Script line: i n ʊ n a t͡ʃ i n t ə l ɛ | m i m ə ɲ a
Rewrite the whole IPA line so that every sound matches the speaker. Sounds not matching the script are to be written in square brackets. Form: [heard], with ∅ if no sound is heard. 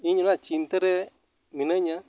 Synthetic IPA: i [ɲ] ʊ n a t͡ʃ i n t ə [ɾ] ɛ | m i [n] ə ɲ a